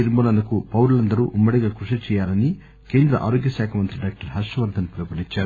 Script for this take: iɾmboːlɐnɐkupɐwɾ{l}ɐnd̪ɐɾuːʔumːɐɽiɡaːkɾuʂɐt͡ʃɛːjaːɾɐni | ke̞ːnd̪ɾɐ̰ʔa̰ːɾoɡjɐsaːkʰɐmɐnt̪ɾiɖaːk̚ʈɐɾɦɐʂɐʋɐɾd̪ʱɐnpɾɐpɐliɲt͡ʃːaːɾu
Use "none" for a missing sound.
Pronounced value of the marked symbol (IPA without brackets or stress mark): l